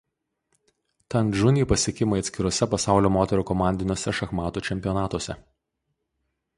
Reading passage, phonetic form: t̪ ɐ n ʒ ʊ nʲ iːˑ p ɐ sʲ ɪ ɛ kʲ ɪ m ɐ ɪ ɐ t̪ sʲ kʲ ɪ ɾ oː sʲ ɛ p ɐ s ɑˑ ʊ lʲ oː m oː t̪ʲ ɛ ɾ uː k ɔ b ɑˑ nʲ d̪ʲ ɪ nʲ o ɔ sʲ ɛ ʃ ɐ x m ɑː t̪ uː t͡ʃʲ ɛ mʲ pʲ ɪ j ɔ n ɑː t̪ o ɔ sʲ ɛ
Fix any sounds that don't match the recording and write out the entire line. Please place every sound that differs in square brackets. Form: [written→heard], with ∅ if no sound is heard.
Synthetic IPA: t̪ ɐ n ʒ ʊ nʲ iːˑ p ɐ sʲ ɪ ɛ kʲ ɪ m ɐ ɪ ɐ t̪ sʲ kʲ ɪ ɾ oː sʲ ɛ p ɐ s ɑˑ ʊ lʲ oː m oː t̪ʲ ɛ ɾ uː k ɔ [b→m] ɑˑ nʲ d̪ʲ ɪ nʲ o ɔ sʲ ɛ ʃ ɐ x m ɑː t̪ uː t͡ʃʲ ɛ mʲ pʲ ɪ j ɔ n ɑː t̪ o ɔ sʲ ɛ